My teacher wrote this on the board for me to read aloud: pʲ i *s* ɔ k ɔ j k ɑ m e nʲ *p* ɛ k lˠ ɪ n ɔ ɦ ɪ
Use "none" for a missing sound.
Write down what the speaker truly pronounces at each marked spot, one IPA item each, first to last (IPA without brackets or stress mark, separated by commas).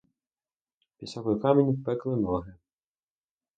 s, p